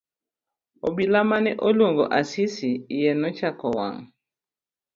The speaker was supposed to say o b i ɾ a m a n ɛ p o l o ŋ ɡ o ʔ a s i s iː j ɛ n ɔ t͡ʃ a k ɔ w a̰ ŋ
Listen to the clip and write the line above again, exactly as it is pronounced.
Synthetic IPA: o b i l a m a n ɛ ʔ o l o ŋ ɡ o ʔ a s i s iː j ɛ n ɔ t͡ʃ a k ɔ w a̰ ŋ